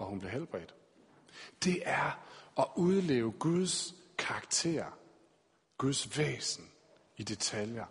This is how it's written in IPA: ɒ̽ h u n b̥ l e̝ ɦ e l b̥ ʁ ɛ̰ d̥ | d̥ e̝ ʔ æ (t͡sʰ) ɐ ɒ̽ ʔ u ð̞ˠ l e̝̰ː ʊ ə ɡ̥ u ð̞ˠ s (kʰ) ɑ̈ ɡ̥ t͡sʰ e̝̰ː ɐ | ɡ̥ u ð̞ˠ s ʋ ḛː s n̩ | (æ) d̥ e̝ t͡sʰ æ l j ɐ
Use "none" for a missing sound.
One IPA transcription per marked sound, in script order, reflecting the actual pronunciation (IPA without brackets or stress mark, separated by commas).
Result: none, kʰ, i